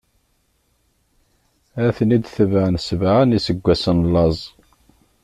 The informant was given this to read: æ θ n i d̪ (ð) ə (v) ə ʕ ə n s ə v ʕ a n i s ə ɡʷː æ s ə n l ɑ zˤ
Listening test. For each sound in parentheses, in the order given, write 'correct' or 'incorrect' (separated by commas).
incorrect, correct